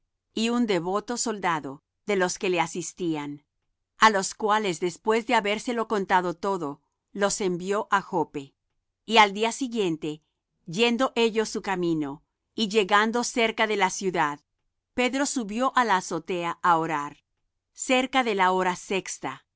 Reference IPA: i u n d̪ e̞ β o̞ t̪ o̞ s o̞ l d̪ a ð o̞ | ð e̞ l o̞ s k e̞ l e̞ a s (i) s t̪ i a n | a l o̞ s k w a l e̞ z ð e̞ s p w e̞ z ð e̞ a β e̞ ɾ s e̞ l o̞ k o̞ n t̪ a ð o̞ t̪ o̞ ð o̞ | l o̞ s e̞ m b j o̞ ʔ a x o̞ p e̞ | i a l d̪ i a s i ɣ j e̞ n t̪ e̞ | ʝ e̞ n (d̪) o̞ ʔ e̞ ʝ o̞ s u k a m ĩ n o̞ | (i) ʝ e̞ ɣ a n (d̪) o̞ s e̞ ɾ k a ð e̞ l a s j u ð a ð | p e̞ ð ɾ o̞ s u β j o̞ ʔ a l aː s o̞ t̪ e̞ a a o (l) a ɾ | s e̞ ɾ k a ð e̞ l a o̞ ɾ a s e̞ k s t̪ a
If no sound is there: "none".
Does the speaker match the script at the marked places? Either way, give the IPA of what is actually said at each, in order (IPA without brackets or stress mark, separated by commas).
i, d̪, i, d̪, ɾ